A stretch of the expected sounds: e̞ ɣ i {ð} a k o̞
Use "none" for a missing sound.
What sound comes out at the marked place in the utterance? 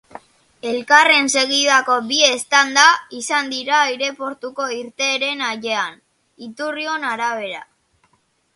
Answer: ð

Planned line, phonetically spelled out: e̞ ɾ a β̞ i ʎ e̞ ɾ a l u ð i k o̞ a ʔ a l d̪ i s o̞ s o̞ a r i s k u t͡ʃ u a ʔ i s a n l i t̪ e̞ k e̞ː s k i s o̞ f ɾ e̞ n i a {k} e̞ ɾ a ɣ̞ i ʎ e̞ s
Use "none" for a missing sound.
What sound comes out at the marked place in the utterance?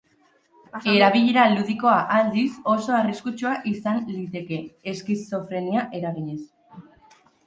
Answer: ʔ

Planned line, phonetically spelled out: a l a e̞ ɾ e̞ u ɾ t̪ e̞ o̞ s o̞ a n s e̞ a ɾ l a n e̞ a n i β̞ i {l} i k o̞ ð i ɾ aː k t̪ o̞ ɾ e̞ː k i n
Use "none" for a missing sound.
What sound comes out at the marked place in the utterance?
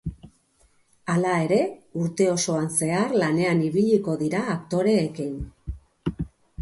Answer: ʎ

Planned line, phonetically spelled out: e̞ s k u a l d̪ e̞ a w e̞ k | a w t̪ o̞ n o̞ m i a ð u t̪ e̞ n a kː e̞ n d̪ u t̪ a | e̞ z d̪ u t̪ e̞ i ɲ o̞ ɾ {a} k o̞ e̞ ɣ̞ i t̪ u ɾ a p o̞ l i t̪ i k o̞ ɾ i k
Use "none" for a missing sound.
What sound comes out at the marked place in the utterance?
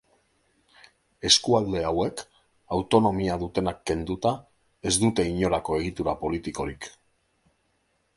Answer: a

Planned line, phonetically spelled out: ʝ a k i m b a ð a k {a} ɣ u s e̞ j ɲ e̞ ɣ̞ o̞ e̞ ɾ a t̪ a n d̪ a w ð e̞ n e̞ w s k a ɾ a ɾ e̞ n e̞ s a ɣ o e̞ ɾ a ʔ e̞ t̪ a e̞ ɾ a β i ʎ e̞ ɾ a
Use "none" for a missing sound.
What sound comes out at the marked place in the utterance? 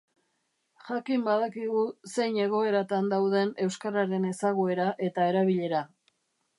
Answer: i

